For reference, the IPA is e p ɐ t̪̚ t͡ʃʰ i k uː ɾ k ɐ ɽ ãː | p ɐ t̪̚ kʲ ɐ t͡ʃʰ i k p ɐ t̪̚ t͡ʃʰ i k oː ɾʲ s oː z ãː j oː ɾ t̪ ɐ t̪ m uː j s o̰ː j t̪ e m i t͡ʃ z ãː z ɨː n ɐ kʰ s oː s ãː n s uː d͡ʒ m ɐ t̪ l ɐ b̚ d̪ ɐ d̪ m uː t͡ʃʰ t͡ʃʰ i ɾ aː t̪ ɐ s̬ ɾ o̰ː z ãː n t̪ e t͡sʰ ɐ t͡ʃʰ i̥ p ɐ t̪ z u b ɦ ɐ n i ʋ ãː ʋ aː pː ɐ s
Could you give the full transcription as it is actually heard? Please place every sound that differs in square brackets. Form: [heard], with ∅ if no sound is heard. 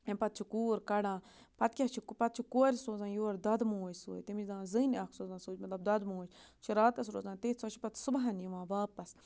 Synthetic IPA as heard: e p ɐ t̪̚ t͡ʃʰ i k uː ɾ k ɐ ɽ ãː | p ɐ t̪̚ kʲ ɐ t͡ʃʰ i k p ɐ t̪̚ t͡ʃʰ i k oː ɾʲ s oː z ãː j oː ɾ [d̪] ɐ [d̪] m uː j s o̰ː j t̪ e m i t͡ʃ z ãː z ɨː n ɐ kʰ s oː [z] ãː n s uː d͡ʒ m ɐ t̪ l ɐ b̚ d̪ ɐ d̪ m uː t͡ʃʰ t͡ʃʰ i ɾ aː t̪ ɐ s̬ ɾ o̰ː z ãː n t̪ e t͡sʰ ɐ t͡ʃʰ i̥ p ɐ t̪ [s] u b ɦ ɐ n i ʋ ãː ʋ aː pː ɐ s